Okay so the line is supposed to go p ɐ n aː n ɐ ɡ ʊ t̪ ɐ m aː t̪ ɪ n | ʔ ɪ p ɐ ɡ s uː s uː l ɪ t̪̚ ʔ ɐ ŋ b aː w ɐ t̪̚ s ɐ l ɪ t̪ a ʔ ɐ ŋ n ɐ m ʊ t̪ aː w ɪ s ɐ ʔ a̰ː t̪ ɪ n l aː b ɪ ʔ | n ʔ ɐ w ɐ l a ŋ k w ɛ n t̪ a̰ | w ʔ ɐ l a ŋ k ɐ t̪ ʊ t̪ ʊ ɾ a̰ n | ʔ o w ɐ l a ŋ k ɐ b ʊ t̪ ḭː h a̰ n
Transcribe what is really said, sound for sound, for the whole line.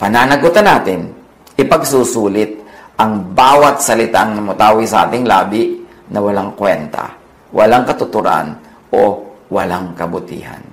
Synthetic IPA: p ɐ n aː n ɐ ɡ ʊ t̪ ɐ n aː t̪ ɪ n | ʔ ɪ p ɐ ɡ s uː s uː l ɪ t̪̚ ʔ ɐ ŋ b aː w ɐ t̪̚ s ɐ l ɪ t̪ a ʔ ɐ ŋ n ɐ m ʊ t̪ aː w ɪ s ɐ ʔ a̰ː t̪ ɪ ŋ l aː b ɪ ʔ | n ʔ ɐ w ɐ l a ŋ k w ɛ n t̪ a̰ | w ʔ ɐ l a ŋ k ɐ t̪ ʊ t̪ ʊ ɾ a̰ n | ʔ o w ɐ l a ŋ k ɐ b ʊ t̪ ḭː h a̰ n